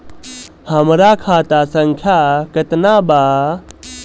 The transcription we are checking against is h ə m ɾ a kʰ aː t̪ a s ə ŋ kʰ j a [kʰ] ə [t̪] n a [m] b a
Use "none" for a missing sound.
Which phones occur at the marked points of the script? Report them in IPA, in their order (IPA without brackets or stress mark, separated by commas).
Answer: k, t̪, none